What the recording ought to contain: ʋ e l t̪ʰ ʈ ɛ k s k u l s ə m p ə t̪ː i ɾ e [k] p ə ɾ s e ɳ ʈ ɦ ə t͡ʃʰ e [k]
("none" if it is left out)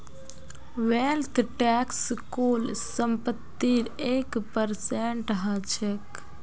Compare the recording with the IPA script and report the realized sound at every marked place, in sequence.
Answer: k, k

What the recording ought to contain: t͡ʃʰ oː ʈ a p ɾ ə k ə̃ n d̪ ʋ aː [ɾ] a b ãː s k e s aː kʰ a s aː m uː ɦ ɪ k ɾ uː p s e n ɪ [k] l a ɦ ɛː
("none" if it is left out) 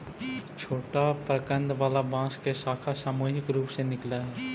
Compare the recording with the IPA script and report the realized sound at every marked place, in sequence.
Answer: l, k

